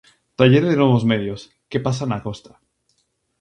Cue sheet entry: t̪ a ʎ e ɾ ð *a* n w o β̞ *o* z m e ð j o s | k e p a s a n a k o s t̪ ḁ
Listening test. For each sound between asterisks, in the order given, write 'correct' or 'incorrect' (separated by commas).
incorrect, correct